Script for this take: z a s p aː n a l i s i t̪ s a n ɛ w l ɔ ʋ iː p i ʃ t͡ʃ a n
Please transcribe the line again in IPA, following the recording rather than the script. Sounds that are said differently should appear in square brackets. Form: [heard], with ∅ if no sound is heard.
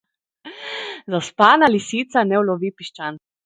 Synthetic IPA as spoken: z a s p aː n a l i s i t̪ s a n ɛ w l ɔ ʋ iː p i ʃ t͡ʃ a n